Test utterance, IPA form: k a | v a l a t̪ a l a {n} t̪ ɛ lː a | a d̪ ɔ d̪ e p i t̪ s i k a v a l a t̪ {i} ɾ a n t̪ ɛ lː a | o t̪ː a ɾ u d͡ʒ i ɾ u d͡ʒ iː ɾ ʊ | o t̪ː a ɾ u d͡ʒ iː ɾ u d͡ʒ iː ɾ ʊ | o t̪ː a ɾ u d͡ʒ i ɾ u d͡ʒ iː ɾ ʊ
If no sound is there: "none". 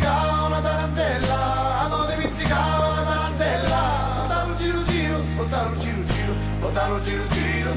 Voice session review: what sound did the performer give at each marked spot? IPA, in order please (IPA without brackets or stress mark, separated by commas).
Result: n, a